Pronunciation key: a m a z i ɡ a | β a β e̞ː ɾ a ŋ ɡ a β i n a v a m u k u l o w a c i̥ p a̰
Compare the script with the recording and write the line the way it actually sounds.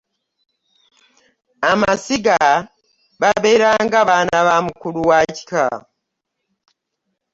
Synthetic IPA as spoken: a m a s i ɡ a | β a β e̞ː ɾ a ŋ ɡ a β a n a β a m u k u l u w a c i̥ k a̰

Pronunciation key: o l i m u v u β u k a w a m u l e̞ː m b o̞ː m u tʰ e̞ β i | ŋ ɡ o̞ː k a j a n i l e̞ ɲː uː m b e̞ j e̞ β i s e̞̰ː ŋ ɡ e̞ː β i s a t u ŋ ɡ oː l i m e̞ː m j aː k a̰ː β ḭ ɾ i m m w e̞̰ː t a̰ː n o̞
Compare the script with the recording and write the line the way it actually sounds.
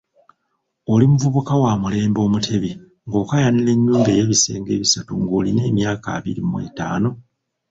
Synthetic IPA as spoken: o l i m u v u β u k a w a m u l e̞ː m b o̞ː m u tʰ e̞ β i | ŋ ɡ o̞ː k a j a n i l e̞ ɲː uː m b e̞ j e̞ β i s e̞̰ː ŋ ɡ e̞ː β i s a t u ŋ ɡ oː l i n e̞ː m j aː k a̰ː β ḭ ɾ i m m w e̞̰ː t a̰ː n o̞

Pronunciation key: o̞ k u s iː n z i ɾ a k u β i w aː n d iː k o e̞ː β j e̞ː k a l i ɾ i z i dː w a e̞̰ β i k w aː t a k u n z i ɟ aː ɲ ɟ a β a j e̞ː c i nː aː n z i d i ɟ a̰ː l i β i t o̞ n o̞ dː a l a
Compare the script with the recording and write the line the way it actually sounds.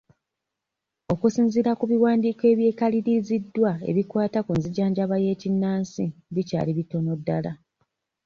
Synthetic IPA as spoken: o̞ k u s iː n z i ɾ a k u β i w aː n d iː k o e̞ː β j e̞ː k a l i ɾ i z i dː w a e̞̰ β i k w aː t a k u n z i ɟ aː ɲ ɟ a β a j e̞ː c i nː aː n s i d i c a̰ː l i β i t o̞ n o̞ dː a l a

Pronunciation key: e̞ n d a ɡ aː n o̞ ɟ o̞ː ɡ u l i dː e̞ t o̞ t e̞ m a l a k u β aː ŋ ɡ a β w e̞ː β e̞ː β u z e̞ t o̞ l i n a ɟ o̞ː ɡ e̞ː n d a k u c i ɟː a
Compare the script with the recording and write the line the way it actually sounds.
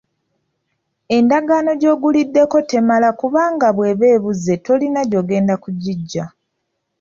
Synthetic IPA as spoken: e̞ n d a ɡ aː n o̞ ɟ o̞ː ɡ u l i dː e̞ k o̞ t e̞ m a l a k u β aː ŋ ɡ a β w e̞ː β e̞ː β u z e̞ t o̞ l i n a ɟ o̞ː ɡ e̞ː n d a k u ɟ i ɟː a

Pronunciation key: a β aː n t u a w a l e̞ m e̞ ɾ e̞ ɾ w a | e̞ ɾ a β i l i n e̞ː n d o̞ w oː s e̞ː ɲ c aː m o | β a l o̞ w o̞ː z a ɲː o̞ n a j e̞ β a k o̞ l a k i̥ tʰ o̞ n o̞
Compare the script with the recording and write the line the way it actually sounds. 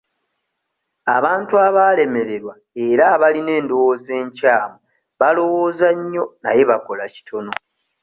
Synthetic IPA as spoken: a β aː n t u a β a l e̞ m e̞ ɾ e̞ ɾ w a | e̞ ɾ a β a l i n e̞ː n d o̞ w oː z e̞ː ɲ c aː m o | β a l o̞ w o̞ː z a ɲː o̞ n a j e̞ β a k o̞ l a c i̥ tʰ o̞ n o̞

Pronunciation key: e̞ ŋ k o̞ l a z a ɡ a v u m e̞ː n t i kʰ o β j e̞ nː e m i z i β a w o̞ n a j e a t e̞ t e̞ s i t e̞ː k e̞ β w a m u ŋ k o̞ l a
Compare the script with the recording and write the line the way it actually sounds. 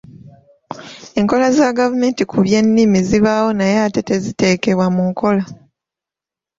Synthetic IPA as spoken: e̞ ŋ k o̞ l a z a ɡ a v u m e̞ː n t i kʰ u β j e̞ nː i m i z i β a w o̞ n a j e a t e̞ t e̞ z i t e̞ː k e̞ β w a m u ŋ k o̞ l a

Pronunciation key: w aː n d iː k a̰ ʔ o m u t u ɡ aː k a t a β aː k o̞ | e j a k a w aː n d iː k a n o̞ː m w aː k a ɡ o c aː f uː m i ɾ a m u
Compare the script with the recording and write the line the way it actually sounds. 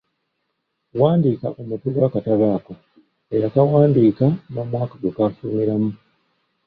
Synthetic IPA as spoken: w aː n d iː k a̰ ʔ o m u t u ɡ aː k a t a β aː k o̞ | e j a k a w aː n d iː k a n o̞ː m w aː k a ɡ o k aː f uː m i ɾ a m u

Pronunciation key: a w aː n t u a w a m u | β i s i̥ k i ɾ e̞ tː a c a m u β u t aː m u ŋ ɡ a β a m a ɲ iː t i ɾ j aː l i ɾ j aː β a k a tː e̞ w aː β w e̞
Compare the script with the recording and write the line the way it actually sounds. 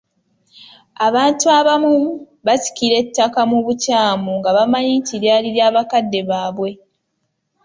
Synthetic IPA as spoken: a β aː n t u a β a m u | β a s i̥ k i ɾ e̞ tː a k a m u β u c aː m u ŋ ɡ a β a m a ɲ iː t i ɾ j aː l i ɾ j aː β a k a dː e̞ β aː β w e̞

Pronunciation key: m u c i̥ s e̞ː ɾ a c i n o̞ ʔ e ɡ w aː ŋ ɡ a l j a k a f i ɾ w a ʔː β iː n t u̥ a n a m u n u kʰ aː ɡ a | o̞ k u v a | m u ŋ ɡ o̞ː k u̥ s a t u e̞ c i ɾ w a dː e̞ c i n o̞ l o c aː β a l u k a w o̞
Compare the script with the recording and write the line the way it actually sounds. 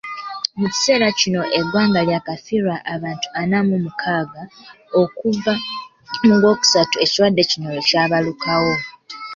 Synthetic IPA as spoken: m u c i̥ s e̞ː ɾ a c i n o̞ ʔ e ɡ w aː ŋ ɡ a l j a k a f i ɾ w a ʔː β aː n t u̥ a n a m u m u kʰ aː ɡ a | o̞ k u v a | m u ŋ ɡ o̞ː k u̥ s a t u e̞ c i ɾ w a dː e̞ c i n o̞ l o c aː β a l u k a w o̞

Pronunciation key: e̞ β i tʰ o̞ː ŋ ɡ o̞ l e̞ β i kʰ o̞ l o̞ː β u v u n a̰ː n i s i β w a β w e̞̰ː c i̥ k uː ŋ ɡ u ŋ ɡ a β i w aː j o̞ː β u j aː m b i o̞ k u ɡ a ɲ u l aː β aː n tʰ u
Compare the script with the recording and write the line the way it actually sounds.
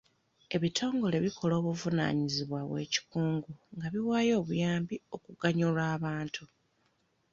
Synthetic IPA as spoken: e̞ β i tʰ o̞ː ŋ ɡ o̞ l e̞ β i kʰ o̞ l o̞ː β u v u n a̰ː ɲ i z i β w a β w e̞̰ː c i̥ k uː ŋ ɡ u ŋ ɡ a β i w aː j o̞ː β u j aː m b i o̞ k u ɡ a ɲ u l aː β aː n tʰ u

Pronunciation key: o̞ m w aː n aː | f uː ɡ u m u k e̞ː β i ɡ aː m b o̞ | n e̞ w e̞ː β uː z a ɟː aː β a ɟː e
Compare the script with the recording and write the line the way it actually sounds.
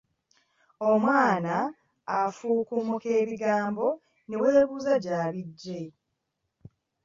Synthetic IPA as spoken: o̞ m w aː n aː | f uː k u m u k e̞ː β i ɡ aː m b o̞ | n e̞ w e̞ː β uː z a ɟ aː β i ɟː e

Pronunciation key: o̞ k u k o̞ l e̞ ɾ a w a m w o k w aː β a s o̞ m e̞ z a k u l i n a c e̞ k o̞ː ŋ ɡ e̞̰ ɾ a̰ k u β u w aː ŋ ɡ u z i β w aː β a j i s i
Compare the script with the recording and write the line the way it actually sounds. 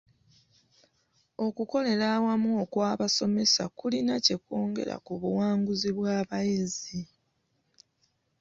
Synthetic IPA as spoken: o̞ k u k o̞ l e̞ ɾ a w a m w o k w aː β a s o̞ m e̞ s a k u l i n a c e̞ k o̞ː ŋ ɡ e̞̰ ɾ a̰ k u β u w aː ŋ ɡ u z i β w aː β a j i z i

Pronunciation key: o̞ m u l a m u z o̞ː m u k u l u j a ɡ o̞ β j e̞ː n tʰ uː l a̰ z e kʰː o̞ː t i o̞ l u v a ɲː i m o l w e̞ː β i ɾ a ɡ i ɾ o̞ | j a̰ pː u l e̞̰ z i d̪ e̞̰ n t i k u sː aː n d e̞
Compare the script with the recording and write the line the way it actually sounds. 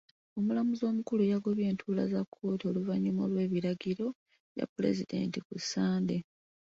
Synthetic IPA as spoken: o̞ m u l a m u z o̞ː m u k u l u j a ɡ o̞ β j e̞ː n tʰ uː l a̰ z a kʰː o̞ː t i o̞ l u v a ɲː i m o l w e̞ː β i ɾ a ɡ i ɾ o̞ | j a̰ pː u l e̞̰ z i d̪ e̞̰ n t i k u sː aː n d e̞

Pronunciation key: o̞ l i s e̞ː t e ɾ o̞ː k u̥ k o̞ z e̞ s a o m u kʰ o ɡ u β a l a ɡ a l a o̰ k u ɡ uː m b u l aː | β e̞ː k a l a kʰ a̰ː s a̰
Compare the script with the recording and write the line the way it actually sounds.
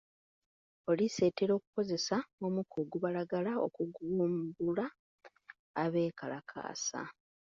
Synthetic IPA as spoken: o̞ l i s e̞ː t e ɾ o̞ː k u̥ k o̞ z e̞ s a o m u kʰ o ɡ u β a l a ɡ a l a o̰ k u ɡ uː m b u l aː | β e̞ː k a l a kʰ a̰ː s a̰

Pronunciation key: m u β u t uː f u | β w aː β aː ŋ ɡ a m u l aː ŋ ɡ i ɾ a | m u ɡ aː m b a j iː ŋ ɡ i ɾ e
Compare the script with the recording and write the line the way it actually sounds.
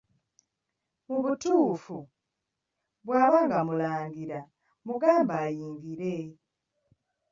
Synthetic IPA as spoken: m u β u t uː f u | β w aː β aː ŋ ɡ a m u l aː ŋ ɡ i ɾ a | m u ɡ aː m b a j iː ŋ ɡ i ɾ e

